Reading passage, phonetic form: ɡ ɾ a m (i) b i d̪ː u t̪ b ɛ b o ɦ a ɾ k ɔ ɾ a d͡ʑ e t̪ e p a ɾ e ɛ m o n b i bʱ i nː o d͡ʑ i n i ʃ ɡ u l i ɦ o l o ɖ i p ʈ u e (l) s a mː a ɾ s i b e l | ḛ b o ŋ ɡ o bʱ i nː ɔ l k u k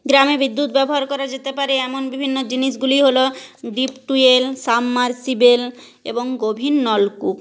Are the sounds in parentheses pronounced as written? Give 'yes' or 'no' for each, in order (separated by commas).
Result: no, yes